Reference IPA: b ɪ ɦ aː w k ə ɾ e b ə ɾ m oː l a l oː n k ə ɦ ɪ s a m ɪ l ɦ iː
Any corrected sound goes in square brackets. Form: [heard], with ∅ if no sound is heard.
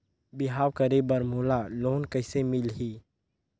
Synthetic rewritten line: b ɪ ɦ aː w k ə ɾ e b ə ɾ m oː l a l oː n k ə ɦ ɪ s [e] m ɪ l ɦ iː